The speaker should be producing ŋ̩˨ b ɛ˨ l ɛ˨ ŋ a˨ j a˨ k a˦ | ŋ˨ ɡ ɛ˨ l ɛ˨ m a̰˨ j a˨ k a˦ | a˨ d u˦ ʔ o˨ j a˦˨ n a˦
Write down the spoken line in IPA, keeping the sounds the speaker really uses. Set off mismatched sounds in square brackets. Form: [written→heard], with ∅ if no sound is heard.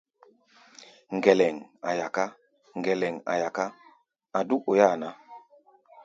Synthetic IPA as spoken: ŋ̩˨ [b→ɡ] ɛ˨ l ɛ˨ ŋ a˨ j a˨ k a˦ | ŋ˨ ɡ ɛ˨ l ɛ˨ [m→ŋ] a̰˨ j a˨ k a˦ | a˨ d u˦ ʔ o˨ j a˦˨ n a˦